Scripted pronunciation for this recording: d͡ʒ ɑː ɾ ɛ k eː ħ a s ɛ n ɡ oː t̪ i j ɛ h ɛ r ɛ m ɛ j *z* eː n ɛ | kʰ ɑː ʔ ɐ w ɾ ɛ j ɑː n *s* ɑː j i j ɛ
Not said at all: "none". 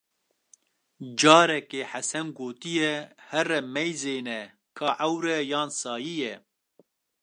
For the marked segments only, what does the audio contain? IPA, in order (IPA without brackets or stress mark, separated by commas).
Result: z, s